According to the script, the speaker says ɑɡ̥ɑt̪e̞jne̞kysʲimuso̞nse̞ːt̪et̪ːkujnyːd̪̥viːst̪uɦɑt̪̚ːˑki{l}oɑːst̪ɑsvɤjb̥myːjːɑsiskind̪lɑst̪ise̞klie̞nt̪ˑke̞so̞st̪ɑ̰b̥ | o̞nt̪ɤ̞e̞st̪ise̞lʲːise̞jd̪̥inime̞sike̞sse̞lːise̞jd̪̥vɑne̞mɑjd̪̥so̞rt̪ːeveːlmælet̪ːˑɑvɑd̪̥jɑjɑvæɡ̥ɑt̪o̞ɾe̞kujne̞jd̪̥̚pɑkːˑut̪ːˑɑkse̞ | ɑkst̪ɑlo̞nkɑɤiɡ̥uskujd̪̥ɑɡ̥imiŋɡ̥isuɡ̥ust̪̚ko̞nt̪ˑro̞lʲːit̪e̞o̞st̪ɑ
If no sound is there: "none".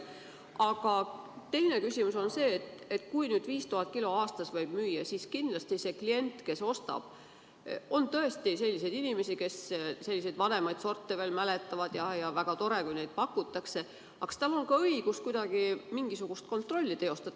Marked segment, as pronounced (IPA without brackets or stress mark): l